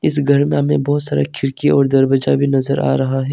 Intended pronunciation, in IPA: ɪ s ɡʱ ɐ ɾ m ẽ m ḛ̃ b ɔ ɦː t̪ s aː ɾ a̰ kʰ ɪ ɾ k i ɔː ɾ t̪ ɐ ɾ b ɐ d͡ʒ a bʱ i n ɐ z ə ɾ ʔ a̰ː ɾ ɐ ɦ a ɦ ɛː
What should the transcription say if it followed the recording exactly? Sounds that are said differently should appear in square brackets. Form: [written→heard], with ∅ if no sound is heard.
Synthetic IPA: ɪ s ɡʱ ɐ ɾ m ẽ m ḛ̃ b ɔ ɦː t̪ s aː ɾ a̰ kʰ ɪ ɾ k i ɔː ɾ [t̪→d̪] ɐ ɾ b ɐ d͡ʒ a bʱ i n ɐ z ə ɾ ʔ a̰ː ɾ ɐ ɦ a ɦ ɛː